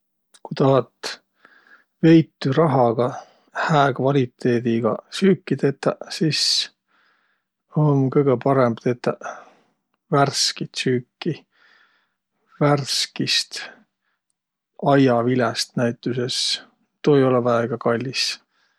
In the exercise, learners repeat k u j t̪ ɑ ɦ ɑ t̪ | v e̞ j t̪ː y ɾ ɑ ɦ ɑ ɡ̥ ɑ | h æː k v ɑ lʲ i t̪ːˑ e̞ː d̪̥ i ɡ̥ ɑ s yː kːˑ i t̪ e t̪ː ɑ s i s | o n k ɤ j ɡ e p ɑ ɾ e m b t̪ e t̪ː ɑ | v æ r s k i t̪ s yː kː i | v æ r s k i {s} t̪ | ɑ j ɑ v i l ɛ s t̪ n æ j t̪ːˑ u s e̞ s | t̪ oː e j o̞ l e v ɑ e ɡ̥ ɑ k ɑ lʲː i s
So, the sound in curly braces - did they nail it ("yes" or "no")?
yes